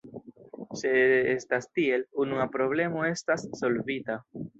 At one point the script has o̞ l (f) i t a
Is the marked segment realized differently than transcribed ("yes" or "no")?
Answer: yes